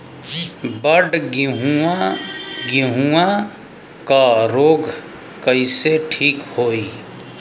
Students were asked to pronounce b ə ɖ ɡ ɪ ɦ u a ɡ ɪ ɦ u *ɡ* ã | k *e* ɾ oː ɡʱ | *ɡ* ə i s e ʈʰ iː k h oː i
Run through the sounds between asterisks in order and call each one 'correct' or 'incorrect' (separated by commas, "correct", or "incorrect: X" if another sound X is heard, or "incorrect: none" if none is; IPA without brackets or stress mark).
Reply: incorrect: none, incorrect: a, incorrect: k